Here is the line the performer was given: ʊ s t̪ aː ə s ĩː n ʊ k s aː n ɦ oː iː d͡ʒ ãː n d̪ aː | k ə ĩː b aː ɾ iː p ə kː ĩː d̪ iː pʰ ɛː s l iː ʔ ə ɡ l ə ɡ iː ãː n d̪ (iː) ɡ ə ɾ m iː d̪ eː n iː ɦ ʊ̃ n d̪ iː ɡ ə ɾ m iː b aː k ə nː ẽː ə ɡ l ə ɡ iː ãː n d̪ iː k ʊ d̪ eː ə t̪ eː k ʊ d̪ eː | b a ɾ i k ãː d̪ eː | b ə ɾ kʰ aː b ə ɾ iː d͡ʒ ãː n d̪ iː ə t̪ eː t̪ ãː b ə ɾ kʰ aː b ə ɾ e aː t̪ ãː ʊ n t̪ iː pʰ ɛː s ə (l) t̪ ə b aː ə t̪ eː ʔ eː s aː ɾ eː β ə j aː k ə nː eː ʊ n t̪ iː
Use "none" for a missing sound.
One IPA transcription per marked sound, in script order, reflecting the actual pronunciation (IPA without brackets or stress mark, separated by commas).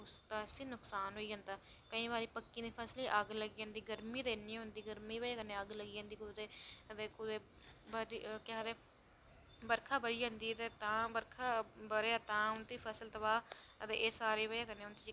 iː, l